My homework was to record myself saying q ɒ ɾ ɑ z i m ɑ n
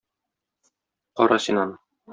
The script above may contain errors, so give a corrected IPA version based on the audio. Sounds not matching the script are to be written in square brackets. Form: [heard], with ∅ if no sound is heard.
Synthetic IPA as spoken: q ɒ ɾ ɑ [s] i [n] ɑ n